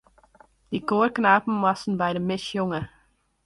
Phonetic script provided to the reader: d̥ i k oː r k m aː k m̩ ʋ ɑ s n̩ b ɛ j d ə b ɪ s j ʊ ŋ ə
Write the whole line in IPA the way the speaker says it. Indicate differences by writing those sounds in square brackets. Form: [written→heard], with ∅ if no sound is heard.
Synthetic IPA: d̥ i k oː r k [m→n] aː [k→p] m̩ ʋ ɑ s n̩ b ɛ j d ə [b→m] ɪ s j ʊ ŋ ə